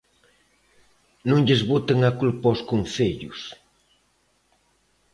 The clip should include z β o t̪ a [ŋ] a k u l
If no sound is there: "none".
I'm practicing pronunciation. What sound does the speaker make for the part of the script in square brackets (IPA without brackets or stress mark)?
ŋ